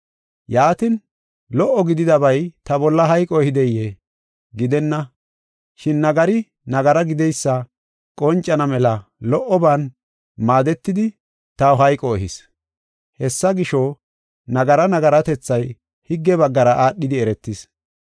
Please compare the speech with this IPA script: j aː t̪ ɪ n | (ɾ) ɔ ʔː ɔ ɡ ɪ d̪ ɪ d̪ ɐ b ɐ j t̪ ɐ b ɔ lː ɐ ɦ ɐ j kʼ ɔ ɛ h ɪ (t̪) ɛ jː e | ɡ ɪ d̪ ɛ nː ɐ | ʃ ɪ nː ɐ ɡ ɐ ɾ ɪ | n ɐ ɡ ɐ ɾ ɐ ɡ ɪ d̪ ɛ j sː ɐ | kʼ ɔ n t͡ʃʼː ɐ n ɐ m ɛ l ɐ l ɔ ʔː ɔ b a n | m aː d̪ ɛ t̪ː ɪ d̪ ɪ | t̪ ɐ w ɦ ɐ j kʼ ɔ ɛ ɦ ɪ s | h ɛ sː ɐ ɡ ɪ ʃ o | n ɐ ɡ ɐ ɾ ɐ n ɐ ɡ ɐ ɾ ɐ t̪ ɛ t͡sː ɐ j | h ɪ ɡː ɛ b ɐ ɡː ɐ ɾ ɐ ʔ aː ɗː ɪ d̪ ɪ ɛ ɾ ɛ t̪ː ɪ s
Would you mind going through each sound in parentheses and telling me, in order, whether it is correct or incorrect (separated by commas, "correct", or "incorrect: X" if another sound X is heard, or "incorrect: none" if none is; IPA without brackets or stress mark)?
incorrect: l, incorrect: d̪